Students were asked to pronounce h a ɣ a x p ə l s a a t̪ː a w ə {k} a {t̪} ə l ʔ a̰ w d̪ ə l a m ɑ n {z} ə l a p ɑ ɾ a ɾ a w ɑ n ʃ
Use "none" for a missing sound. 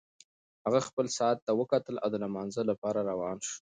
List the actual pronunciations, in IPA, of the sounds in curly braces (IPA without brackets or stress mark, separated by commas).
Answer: k, t̪, z